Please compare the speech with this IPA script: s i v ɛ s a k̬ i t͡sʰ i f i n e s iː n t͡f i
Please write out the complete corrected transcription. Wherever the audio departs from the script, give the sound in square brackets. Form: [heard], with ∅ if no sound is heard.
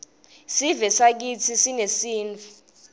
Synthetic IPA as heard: s i v ɛ s a k̬ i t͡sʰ i [s] i n e s iː n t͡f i